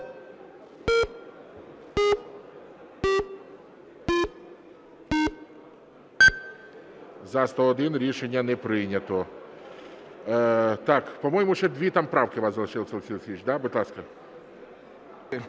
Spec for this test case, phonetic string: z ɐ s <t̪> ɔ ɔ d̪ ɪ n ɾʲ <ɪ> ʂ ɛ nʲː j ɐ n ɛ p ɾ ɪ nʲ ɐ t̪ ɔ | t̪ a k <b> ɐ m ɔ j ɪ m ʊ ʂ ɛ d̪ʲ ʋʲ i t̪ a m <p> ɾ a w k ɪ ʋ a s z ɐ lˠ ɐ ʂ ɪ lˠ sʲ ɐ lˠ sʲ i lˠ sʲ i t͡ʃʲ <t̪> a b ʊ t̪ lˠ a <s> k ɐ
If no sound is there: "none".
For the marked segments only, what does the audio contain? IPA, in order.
t̪, i, p, p, d̪, s

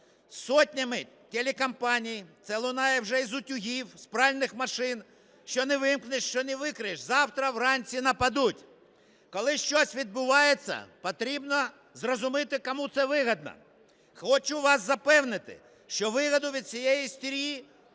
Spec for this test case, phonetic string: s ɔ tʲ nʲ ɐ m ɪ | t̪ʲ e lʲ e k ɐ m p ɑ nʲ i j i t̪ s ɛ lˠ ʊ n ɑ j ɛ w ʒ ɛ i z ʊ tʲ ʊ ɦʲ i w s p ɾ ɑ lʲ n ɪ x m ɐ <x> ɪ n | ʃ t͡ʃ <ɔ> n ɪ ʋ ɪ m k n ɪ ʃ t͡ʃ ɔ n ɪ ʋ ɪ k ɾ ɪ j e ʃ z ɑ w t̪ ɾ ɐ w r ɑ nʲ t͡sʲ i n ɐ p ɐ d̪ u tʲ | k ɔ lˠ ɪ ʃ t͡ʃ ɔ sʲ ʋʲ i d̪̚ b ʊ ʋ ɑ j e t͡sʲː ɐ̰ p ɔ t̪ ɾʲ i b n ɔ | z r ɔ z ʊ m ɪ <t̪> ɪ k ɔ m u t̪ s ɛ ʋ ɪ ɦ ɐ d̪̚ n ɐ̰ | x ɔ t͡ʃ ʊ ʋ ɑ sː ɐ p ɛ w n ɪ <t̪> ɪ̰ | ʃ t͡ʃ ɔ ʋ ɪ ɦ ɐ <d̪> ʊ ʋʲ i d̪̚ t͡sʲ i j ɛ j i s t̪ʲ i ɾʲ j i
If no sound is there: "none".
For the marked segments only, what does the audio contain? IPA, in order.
ʃ, ɔ, t̪, t̪, d̪

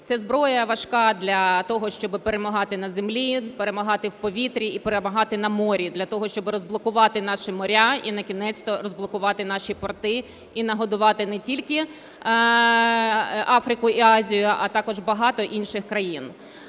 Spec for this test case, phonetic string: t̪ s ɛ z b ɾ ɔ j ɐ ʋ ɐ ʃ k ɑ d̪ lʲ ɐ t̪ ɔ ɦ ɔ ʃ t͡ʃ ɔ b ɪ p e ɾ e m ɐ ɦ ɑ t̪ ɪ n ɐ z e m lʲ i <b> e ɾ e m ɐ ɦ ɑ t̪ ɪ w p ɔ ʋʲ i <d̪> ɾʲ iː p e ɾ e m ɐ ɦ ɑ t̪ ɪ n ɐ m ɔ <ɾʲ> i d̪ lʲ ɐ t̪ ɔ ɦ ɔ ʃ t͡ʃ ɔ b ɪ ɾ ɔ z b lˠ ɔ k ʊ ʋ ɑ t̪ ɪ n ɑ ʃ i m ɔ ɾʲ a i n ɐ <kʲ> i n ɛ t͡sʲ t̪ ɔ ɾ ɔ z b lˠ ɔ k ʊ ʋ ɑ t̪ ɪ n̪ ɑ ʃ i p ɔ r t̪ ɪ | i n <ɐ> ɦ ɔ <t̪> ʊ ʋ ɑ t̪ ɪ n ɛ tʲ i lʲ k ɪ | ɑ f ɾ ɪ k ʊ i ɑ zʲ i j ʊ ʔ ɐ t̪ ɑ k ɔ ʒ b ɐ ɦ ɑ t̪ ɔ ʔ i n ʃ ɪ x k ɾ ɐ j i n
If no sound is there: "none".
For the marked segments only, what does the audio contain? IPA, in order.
p, t̪, ɾʲ, kʲ, ɐ, d̪

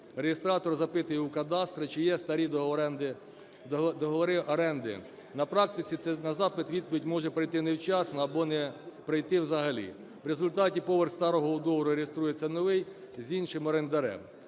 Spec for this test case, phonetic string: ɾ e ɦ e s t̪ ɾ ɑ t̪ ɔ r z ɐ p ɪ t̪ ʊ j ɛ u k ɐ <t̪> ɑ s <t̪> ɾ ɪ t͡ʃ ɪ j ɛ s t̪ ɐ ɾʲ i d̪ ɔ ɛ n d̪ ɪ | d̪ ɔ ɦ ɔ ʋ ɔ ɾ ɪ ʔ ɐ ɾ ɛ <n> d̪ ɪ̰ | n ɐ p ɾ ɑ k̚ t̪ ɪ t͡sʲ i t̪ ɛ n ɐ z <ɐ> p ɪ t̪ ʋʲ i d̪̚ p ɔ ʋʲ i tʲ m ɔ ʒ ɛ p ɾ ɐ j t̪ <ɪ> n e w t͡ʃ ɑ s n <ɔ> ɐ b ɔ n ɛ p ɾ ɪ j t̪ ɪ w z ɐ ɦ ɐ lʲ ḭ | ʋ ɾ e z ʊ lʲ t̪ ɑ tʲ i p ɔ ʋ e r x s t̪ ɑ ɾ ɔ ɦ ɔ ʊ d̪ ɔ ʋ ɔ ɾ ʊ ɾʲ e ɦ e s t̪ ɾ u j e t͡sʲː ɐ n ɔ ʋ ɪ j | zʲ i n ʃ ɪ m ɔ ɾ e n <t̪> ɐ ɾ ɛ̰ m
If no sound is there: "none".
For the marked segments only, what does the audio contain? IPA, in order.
d̪, t̪, n, ɑ, ɪ, ɔ, d̪

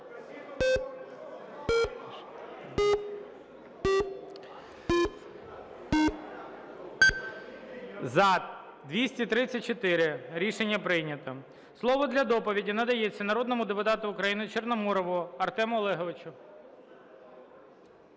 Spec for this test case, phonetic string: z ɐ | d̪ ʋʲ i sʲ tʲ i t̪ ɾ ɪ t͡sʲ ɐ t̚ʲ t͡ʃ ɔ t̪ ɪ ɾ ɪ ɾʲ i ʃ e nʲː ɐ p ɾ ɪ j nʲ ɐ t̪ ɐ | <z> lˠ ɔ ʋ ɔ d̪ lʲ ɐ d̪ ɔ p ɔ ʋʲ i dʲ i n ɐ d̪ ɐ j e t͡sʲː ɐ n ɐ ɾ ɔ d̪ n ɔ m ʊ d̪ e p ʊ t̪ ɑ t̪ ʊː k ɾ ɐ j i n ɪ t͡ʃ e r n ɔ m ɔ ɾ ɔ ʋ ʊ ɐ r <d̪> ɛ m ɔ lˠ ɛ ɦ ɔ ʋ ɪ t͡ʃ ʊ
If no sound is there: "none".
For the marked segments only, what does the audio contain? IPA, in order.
s, t̪

